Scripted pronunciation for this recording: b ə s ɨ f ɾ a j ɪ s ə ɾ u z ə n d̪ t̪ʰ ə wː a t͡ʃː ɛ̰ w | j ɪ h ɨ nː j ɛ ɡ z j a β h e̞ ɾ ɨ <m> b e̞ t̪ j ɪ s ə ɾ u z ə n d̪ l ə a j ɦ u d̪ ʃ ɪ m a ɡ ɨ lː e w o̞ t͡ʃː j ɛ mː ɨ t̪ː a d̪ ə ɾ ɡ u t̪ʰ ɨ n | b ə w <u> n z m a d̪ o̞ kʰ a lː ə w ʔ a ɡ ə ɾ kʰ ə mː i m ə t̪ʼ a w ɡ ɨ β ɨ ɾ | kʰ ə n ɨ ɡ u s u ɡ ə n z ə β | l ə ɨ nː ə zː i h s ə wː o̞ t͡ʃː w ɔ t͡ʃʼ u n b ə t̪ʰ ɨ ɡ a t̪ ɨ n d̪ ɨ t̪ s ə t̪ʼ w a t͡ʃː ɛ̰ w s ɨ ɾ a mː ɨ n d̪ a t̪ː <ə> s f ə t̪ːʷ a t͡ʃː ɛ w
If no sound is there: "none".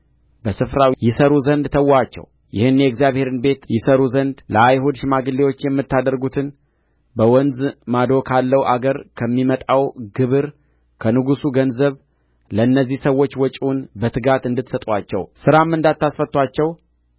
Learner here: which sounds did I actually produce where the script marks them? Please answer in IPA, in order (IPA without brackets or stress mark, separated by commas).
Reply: n, ɔ, a